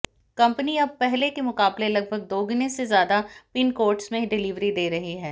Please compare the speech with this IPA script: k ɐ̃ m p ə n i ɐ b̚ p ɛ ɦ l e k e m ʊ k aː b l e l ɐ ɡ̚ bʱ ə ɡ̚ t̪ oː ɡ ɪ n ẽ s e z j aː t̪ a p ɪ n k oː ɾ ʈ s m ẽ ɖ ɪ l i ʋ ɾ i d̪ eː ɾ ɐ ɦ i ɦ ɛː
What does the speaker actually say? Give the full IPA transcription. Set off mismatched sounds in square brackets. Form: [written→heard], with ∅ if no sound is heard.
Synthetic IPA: k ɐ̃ m p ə n i ɐ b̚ p ɛ ɦ l e k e m ʊ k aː b l e l ɐ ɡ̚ bʱ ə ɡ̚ [t̪→d̪] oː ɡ ɪ n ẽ s e z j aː [t̪→d̪] a p ɪ n k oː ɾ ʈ s m ẽ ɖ ɪ l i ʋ ɾ i d̪ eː ɾ ɐ ɦ i ɦ ɛː